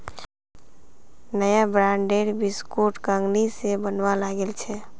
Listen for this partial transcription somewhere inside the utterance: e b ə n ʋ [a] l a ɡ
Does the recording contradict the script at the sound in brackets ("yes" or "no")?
no